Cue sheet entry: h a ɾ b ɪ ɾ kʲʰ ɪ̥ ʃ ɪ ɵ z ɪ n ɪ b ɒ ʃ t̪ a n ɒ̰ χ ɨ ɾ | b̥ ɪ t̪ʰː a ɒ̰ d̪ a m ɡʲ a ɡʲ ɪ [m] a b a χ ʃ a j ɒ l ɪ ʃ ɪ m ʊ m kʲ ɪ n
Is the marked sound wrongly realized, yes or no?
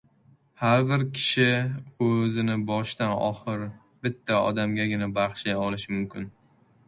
yes